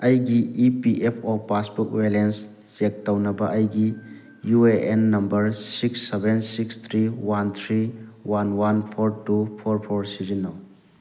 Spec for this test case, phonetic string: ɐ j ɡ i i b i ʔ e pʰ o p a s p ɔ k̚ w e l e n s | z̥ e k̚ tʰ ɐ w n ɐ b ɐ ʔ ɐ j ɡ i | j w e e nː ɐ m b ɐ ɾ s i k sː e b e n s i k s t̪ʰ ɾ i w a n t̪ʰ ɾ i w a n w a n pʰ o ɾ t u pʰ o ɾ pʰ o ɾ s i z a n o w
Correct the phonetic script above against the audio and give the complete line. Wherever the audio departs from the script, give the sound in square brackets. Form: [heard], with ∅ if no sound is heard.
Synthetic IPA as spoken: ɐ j ɡ i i [p] i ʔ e pʰ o p a s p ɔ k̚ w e l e n s | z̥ e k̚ [t] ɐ w n ɐ b ɐ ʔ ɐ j ɡ i | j [u] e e nː ɐ m b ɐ ɾ s i k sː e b e n s i k s t̪ʰ ɾ i w a n t̪ʰ ɾ i w a n w a n pʰ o ɾ t u pʰ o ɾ pʰ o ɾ s i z [i] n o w